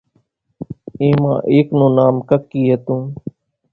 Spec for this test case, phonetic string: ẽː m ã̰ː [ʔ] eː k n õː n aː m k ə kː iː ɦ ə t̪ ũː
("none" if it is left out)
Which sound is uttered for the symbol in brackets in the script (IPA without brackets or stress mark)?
ʔ